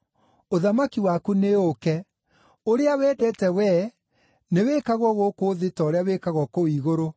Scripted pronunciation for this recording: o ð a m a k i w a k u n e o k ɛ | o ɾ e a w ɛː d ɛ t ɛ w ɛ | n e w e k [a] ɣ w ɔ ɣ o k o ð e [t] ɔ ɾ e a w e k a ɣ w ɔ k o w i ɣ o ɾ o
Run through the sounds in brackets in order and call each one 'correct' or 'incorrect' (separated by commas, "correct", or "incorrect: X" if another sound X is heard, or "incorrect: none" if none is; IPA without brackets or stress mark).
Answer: correct, correct